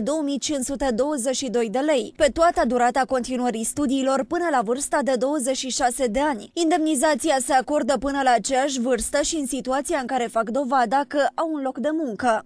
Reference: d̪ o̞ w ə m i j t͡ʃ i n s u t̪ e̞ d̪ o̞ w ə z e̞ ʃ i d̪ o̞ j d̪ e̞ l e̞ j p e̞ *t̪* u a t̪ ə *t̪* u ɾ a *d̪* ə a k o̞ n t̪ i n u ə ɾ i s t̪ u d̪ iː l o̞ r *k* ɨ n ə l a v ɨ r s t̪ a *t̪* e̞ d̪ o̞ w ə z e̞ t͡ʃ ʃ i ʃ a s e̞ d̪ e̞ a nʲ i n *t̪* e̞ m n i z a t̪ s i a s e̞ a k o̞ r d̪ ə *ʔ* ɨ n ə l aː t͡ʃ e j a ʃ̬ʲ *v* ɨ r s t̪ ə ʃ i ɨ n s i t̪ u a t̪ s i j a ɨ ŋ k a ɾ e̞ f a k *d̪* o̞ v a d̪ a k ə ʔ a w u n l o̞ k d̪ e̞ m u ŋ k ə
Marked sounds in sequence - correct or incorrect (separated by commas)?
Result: correct, incorrect, incorrect, incorrect, incorrect, incorrect, incorrect, correct, correct